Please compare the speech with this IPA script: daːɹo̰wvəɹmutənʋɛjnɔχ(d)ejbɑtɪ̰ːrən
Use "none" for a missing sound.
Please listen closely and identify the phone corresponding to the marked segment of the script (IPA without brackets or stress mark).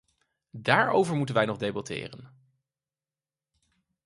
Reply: d